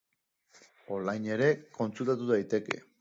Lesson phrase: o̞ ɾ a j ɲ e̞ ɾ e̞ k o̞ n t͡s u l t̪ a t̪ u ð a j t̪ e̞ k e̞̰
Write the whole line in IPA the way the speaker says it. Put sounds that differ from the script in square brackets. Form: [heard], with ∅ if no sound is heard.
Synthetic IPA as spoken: o̞ [l] a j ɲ e̞ ɾ e̞ k o̞ n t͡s u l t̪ a t̪ u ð a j t̪ e̞ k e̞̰